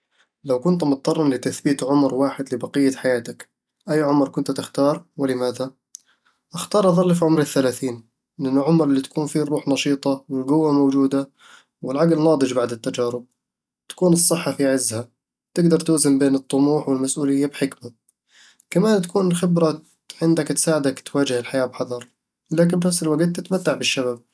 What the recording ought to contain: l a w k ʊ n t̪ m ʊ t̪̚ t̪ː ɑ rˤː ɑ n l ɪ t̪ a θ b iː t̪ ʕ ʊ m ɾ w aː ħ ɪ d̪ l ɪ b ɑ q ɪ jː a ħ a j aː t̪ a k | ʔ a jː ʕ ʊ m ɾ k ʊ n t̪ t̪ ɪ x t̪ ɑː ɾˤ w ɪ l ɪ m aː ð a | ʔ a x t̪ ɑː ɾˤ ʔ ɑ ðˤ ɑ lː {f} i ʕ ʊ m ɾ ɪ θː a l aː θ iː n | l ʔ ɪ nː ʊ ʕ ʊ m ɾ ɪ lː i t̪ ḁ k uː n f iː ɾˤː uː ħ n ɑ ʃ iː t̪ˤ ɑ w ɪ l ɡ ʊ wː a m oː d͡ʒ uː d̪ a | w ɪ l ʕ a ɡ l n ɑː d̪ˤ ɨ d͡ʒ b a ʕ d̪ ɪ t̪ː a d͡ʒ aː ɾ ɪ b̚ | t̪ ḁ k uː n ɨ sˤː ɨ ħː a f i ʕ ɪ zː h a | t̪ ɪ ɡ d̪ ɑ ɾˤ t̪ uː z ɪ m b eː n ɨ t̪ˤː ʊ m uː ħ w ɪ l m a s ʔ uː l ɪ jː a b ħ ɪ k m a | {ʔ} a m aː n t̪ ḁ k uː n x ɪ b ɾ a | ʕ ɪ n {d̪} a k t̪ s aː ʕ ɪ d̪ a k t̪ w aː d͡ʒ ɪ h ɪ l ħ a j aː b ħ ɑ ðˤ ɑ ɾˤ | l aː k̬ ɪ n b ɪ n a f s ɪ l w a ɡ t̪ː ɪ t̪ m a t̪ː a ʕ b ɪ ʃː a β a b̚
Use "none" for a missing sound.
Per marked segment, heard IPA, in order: f, k, d̪

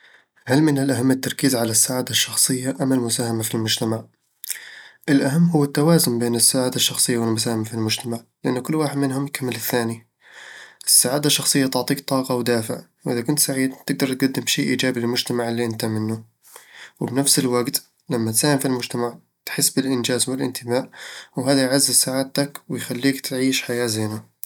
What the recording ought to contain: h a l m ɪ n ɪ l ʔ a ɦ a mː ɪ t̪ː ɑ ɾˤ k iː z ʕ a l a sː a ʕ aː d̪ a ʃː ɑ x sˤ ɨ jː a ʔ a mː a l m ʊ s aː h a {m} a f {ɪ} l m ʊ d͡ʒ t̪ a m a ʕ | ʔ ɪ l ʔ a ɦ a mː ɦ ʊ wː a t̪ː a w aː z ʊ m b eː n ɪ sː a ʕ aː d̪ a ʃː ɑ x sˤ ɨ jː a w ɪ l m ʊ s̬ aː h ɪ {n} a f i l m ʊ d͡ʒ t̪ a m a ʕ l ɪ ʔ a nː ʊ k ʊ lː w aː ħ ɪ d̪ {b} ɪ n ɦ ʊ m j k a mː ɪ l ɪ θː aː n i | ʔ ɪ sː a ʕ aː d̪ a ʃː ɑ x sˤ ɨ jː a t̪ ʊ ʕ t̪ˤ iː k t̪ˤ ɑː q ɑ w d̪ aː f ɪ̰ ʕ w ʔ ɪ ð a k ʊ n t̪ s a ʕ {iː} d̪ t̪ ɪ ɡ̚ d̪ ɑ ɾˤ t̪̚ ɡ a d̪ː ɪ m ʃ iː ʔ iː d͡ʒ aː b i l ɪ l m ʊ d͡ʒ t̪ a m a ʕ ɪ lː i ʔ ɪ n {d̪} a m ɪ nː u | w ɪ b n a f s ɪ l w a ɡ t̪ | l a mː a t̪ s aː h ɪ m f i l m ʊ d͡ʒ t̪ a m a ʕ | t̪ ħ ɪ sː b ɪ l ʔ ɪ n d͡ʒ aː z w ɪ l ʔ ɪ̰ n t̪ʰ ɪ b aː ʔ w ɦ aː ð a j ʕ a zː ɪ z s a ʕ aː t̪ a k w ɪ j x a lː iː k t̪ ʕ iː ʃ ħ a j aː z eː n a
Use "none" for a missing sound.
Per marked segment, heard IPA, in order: m, i, m, m, iː, t̪

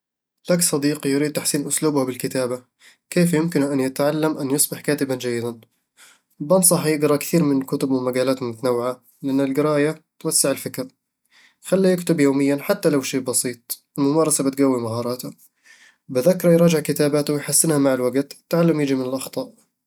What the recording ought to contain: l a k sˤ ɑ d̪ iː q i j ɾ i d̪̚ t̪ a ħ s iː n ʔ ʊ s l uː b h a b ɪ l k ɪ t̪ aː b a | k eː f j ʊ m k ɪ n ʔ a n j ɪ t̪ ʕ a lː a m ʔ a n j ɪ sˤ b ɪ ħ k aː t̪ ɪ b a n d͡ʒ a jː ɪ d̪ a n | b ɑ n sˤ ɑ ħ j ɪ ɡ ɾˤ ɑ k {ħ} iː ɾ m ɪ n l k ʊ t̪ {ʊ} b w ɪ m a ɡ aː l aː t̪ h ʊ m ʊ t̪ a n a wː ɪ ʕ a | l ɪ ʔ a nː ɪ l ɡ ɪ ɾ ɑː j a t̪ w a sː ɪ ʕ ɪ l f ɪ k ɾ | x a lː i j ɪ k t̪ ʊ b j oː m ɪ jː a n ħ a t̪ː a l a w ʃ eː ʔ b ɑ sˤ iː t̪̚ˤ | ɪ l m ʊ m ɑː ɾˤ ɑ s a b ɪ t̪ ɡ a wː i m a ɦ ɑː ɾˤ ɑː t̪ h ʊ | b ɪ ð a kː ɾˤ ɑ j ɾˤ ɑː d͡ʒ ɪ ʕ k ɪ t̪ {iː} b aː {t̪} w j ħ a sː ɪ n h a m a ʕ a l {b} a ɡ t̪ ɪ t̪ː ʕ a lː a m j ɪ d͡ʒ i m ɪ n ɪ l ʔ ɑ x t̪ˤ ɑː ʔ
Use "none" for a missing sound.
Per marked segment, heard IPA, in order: θ, ʊ, aː, t̪, w

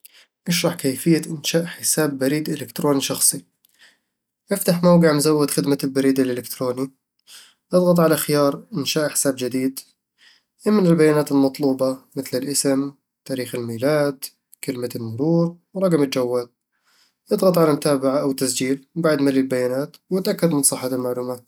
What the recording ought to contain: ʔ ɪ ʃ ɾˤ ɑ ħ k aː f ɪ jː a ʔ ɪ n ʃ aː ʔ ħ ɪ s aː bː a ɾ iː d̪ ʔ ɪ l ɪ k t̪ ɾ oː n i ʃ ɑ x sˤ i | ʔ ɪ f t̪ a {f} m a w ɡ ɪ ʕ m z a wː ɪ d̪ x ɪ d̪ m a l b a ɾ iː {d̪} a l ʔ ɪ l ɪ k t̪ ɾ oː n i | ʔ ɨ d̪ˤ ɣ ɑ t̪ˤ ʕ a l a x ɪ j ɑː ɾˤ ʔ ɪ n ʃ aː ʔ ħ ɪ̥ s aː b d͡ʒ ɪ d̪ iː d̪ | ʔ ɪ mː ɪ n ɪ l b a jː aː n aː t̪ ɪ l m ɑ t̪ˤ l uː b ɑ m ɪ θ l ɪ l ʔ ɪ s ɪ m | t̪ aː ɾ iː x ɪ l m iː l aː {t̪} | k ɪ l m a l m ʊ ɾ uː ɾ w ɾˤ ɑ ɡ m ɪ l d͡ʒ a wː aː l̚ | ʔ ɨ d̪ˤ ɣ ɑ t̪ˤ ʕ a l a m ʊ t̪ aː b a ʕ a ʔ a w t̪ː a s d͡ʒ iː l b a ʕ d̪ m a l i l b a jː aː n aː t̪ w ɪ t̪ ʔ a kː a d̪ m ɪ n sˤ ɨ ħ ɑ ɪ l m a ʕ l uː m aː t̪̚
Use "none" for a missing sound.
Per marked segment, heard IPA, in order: ħ, d̪, d̪

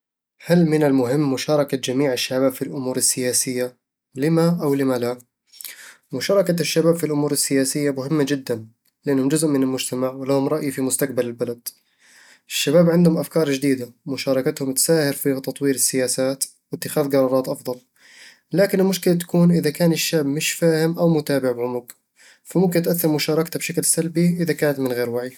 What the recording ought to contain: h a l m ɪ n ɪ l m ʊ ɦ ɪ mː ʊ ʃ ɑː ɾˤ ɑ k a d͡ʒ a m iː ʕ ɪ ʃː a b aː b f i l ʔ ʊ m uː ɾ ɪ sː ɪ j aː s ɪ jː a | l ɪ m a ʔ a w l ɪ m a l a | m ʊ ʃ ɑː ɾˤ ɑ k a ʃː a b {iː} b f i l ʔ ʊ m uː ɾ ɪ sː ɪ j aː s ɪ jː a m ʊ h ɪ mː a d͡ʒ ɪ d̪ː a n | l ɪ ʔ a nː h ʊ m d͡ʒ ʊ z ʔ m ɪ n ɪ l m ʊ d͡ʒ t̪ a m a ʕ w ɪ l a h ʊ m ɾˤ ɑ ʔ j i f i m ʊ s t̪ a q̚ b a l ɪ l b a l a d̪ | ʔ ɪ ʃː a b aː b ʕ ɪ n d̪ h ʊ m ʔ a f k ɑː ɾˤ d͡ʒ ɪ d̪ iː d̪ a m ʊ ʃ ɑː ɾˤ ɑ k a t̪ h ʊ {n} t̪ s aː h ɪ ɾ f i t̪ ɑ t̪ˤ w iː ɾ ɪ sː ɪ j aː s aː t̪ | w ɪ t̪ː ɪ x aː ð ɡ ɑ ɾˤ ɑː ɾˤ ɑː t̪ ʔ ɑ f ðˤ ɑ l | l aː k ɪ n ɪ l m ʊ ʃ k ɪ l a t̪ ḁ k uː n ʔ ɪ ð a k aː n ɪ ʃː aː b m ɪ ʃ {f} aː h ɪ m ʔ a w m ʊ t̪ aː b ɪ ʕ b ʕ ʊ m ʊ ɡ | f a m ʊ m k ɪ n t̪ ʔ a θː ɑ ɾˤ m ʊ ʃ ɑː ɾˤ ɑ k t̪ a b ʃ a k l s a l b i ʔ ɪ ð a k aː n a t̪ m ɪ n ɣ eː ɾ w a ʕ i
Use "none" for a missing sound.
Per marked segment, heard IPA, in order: aː, m, f

